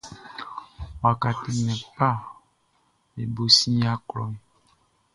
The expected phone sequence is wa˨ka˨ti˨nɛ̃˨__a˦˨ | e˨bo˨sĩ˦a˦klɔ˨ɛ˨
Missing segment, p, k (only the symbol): p